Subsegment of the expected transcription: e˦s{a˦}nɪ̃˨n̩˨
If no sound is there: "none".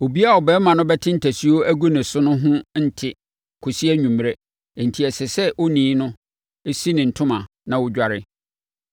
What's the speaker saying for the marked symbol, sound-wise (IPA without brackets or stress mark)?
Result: i˦